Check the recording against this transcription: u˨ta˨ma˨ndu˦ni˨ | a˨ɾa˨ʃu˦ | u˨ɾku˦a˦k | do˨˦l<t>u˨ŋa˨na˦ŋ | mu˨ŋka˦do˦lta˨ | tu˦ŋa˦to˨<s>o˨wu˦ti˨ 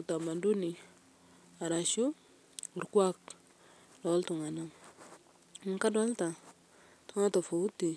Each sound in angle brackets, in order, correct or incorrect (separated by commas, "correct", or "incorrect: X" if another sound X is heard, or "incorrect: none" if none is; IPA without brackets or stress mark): correct, incorrect: f